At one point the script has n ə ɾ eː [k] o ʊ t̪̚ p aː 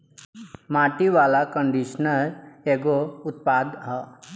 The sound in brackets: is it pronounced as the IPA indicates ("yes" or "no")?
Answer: no